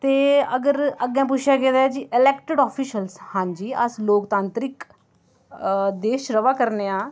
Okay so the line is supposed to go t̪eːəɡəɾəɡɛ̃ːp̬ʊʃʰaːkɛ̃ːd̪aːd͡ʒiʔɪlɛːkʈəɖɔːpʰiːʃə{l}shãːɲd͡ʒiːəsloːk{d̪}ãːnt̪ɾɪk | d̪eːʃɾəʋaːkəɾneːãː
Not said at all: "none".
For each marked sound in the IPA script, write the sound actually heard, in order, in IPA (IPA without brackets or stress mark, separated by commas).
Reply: l, t̪